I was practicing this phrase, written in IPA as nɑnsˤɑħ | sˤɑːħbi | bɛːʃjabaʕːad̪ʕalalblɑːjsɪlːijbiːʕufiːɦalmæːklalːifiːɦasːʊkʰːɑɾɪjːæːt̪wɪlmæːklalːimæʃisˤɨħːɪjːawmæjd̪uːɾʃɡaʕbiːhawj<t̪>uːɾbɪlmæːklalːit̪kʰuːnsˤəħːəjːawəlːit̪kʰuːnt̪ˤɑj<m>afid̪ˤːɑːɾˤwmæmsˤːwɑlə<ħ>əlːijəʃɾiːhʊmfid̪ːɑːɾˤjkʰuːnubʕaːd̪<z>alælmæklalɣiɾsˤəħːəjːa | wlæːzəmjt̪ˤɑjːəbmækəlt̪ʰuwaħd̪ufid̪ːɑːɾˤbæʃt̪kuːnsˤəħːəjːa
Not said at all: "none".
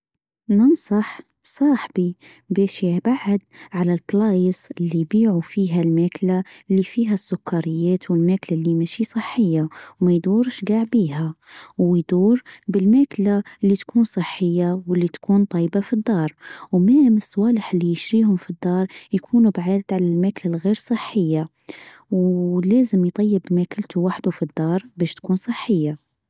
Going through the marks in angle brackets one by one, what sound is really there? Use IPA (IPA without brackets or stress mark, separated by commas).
d̪, b, ħ, ʕ